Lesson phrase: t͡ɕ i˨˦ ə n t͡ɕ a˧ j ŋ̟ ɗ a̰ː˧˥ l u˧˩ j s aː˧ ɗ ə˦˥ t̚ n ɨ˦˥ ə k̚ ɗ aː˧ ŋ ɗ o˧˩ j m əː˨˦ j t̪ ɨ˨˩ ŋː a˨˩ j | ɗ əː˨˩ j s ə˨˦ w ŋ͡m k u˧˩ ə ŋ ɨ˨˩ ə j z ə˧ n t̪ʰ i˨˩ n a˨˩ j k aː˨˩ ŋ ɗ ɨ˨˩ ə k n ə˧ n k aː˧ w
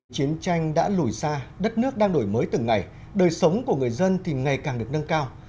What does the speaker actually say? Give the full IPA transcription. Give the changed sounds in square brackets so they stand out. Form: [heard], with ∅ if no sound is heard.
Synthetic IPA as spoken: t͡ɕ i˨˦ ə n t͡ɕ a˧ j ŋ̟ ɗ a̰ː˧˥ l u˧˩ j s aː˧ ɗ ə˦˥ t̚ n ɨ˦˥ ə k̚ ɗ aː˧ ŋ ɗ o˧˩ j m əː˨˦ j t̪ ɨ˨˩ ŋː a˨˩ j | ɗ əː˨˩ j s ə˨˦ w ŋ͡m k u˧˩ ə ŋ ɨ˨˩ ə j z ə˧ n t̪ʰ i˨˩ [ŋ] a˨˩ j k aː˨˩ ŋ ɗ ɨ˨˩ ə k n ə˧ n k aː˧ w

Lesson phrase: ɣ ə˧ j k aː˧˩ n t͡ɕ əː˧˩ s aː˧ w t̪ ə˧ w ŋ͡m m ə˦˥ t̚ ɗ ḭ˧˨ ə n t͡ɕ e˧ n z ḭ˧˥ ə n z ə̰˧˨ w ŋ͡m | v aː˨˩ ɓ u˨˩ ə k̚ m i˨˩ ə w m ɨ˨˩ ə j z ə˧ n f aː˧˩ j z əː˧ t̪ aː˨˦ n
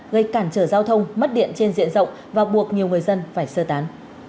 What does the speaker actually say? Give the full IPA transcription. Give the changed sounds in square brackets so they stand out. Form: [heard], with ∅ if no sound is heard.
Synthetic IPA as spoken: ɣ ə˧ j k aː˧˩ n t͡ɕ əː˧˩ [z] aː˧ w [t̪ʰ] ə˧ w ŋ͡m m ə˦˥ t̚ ɗ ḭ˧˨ ə n t͡ɕ e˧ n z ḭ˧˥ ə n z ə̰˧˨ w ŋ͡m | v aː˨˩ ɓ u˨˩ ə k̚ [ɲ] i˨˩ ə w [ŋ] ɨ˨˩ ə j z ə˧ n f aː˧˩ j [s] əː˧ t̪ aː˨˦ n

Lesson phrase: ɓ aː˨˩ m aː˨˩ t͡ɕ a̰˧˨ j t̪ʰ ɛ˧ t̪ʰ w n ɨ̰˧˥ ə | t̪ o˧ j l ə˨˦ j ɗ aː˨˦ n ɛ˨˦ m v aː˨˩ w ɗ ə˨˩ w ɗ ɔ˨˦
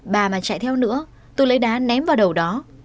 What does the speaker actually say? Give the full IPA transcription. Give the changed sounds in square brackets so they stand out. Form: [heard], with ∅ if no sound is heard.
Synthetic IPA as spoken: ɓ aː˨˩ m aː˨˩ t͡ɕ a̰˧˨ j t̪ʰ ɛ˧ [∅] w n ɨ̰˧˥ ə | t̪ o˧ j l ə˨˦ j ɗ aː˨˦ n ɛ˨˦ m v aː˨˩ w ɗ ə˨˩ w ɗ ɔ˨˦

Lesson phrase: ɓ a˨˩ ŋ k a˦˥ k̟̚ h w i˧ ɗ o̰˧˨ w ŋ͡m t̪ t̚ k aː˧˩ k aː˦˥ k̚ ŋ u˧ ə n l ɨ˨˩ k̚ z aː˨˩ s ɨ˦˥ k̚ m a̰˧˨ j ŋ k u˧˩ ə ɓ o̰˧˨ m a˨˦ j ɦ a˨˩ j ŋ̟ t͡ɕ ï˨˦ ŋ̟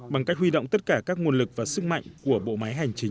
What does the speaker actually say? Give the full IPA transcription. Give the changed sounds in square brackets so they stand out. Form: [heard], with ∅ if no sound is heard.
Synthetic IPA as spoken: ɓ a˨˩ ŋ k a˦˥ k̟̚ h w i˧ ɗ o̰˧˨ w ŋ͡m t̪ t̚ k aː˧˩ k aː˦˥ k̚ ŋ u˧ ə n l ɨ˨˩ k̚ [v] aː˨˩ s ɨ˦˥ k̚ m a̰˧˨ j ŋ k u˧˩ ə ɓ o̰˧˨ m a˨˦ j ɦ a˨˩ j ŋ̟ t͡ɕ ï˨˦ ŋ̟

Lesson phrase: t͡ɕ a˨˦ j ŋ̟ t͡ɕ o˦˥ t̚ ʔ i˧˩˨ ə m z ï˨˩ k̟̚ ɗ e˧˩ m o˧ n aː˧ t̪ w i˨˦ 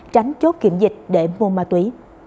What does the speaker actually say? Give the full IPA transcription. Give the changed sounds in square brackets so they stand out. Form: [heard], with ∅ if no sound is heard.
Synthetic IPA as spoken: t͡ɕ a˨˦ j ŋ̟ t͡ɕ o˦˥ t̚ [k] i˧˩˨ ə m z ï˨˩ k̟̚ ɗ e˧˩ m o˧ [m] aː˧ t̪ w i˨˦

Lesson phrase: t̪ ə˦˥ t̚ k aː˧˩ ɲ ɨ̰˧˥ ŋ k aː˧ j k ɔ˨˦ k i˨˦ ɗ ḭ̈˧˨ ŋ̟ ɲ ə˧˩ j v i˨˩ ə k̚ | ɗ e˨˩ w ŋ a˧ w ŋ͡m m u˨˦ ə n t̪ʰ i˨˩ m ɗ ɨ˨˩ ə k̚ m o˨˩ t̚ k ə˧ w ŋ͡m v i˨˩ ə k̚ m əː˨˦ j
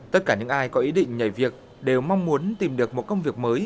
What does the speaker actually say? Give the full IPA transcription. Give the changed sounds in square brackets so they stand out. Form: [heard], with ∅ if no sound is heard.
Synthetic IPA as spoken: t̪ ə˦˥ t̚ k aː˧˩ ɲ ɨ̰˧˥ ŋ [ʔ] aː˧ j k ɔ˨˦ [ʔ] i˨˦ ɗ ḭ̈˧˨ ŋ̟ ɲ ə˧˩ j v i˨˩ ə k̚ | ɗ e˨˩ w [m] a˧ w ŋ͡m m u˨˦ ə n [t̪] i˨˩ m ɗ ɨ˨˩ ə k̚ m o˨˩ t̚ k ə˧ w ŋ͡m v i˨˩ ə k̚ m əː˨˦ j

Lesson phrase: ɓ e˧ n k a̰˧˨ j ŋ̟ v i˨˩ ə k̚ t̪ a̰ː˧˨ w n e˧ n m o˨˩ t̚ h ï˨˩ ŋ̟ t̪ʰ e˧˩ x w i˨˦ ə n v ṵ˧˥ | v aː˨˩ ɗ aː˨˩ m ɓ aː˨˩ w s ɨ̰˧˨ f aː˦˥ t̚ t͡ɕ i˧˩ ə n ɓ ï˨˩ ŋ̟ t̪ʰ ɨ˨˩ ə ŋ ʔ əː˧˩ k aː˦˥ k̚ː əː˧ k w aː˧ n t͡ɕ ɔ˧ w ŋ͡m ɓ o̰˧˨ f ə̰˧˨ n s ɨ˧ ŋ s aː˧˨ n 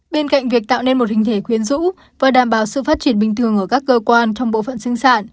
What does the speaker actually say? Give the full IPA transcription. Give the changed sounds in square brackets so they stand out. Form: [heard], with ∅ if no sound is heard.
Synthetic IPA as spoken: ɓ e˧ n k a̰˧˨ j ŋ̟ v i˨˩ ə k̚ t̪ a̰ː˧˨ w n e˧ n m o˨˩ t̚ h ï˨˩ ŋ̟ t̪ʰ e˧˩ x w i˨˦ ə n [z] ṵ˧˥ | v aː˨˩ ɗ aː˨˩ m ɓ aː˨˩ w s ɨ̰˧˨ f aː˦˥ t̚ t͡ɕ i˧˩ ə n ɓ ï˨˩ ŋ̟ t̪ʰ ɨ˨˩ ə ŋ ʔ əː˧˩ k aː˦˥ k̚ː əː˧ k w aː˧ n t͡ɕ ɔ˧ w ŋ͡m ɓ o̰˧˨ f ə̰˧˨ n s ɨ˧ ŋ s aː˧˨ n

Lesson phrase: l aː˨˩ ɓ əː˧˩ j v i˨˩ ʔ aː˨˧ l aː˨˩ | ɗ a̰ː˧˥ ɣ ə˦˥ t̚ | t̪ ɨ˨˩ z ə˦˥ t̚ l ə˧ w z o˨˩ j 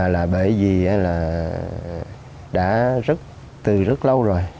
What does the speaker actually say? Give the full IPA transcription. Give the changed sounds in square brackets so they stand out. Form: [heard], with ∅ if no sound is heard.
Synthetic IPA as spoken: l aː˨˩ ɓ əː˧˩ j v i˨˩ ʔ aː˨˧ l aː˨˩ | ɗ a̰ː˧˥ [z] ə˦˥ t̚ | t̪ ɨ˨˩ z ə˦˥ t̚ l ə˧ w z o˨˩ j

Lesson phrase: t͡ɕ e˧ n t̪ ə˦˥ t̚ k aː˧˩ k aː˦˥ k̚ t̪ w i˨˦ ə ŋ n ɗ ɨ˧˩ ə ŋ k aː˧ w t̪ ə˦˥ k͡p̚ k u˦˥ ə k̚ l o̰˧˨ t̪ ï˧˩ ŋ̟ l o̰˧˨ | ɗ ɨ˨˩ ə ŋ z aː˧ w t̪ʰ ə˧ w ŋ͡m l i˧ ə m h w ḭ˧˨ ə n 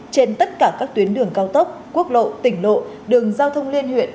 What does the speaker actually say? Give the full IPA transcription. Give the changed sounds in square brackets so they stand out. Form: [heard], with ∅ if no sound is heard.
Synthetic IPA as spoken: t͡ɕ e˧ n t̪ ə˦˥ t̚ k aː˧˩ k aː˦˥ k̚ t̪ w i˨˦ ə [∅] n ɗ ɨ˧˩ ə ŋ k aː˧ w t̪ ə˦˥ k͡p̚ k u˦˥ ə k̚ l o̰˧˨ t̪ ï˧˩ ŋ̟ l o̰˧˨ | ɗ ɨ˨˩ ə ŋ z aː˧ w t̪ʰ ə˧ w ŋ͡m l i˧ ə [n] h w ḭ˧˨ ə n

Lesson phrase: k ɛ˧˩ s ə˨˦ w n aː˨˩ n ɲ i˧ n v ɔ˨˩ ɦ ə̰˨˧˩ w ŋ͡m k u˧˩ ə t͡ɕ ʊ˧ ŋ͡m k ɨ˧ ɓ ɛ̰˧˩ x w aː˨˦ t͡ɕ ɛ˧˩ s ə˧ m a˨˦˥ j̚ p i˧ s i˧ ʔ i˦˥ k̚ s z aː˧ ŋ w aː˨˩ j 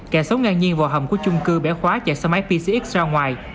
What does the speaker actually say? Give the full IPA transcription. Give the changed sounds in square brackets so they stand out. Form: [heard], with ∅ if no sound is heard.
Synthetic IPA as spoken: k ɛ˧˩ s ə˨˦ w [ŋ] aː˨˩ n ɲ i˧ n v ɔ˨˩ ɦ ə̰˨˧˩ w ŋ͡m k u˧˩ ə t͡ɕ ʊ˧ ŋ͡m k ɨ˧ ɓ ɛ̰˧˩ x w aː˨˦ t͡ɕ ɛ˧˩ s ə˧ m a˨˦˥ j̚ p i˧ s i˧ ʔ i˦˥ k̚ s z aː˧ ŋ w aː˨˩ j

